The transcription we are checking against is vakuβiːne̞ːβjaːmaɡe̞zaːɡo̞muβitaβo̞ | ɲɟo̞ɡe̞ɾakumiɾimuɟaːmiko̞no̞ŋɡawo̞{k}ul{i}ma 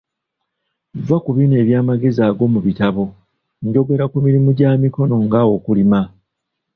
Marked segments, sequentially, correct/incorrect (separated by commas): correct, correct